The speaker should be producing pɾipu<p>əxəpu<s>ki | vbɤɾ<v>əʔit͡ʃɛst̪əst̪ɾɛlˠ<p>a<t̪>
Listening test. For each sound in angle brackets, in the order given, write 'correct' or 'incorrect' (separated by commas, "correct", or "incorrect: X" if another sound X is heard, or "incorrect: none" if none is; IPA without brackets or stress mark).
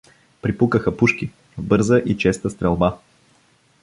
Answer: incorrect: k, incorrect: ʃ, incorrect: z, incorrect: b, incorrect: none